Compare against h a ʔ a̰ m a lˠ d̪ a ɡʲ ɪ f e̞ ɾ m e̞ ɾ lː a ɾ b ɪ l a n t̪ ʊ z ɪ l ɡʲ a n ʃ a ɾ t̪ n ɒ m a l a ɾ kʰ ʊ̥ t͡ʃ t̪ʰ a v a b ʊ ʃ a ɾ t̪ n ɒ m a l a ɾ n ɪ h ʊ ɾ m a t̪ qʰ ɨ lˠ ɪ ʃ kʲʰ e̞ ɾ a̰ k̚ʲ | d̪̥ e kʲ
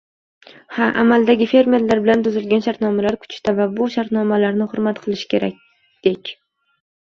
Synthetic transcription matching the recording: h a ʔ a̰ m a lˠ d̪ a ɡʲ ɪ f e̞ ɾ m e̞ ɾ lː a ɾ b ɪ l a n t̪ ʊ z ɪ l ɡʲ a n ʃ a ɾ t̪ n ɒ m a l a ɾ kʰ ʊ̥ t͡ʃ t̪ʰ a v a b ʊ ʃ a ɾ t̪ n ɒ m a l a ɾ n ɪ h ʊ ɾ m a t̪ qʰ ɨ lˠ ɪ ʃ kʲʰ e̞ ɾ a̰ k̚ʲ | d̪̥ e kʲ